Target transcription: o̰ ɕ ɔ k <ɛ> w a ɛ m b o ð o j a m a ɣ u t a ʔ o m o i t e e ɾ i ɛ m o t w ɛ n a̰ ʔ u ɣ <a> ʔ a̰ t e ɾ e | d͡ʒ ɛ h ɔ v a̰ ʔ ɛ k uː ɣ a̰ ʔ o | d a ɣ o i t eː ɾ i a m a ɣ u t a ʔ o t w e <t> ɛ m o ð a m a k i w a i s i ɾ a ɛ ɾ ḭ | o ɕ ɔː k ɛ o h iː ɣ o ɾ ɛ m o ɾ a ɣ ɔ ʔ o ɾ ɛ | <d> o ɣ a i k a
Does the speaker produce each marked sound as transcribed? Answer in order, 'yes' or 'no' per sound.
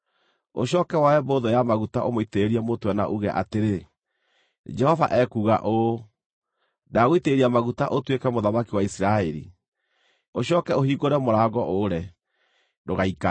yes, no, no, yes

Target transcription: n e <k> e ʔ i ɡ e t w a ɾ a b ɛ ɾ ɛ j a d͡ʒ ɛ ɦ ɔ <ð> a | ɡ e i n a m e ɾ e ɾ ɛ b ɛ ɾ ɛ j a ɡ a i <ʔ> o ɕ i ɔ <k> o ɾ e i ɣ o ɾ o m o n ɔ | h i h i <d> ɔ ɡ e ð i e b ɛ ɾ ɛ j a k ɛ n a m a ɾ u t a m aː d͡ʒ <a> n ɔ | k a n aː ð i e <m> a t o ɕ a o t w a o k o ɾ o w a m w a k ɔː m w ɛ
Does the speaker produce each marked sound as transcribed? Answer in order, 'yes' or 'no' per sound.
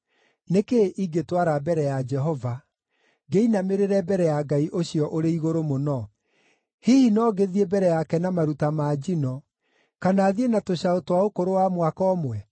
yes, no, yes, no, no, no, no

